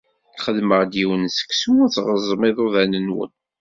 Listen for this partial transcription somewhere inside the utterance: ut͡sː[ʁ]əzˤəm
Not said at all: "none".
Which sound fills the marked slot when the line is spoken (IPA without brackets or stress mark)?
ʁ